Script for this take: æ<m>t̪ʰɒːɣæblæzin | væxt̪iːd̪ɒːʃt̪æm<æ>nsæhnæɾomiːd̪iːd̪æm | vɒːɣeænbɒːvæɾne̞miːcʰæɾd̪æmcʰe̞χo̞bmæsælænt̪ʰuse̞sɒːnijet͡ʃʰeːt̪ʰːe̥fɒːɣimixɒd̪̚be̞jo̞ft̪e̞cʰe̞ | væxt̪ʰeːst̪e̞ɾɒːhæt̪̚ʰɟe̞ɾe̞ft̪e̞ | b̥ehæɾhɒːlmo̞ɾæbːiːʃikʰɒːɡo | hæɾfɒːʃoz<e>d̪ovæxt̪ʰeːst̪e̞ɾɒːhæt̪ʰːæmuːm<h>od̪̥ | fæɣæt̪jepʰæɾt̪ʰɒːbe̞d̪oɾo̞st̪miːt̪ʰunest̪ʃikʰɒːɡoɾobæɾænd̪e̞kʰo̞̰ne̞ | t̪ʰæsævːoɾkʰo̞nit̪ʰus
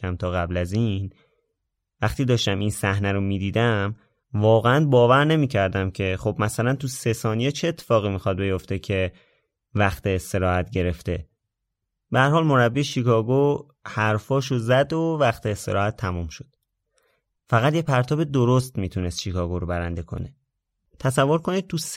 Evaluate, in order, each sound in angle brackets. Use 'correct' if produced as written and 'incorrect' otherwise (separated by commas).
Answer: correct, incorrect, incorrect, incorrect